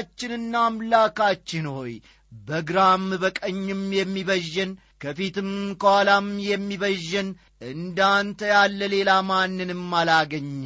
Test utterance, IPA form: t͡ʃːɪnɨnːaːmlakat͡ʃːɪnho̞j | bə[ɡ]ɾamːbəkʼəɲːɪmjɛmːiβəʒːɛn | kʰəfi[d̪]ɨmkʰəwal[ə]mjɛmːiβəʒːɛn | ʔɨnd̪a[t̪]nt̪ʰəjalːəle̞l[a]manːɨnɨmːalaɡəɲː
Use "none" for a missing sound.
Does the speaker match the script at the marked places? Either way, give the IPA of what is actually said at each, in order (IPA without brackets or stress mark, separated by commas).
ɡ, t̪, a, none, a